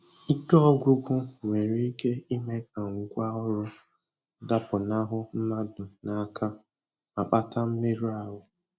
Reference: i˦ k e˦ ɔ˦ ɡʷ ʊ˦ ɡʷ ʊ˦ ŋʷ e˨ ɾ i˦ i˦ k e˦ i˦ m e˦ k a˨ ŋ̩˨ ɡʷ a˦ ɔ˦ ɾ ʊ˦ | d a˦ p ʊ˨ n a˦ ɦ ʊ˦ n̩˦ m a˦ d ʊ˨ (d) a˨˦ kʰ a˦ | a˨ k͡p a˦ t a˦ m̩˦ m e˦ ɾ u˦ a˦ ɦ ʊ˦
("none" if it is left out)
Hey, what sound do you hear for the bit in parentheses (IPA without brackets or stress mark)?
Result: n